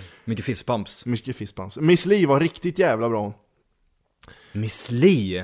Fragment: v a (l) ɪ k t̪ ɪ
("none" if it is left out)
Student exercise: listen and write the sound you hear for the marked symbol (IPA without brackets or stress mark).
ɾ